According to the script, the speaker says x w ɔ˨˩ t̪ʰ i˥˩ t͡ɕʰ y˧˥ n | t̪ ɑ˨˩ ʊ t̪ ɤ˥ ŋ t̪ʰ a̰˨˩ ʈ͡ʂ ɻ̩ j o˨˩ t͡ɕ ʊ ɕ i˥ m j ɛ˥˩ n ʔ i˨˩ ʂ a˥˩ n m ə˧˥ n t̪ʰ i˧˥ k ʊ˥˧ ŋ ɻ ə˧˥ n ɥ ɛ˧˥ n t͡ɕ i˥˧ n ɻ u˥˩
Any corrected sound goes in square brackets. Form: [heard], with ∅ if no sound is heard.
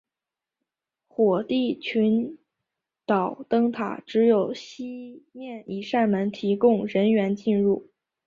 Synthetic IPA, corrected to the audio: x w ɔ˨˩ [t̪] i˥˩ t͡ɕʰ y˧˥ n | t̪ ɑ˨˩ ʊ t̪ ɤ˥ ŋ t̪ʰ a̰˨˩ ʈ͡ʂ ɻ̩ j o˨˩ [∅] ʊ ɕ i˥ m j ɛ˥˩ n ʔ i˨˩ ʂ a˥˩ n m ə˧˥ n t̪ʰ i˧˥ k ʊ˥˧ ŋ ɻ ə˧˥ n ɥ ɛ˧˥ n t͡ɕ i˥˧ n ɻ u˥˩